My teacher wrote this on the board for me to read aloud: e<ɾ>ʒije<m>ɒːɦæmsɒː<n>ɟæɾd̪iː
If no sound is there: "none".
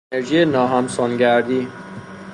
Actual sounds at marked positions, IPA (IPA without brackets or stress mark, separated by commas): ɾ, n, n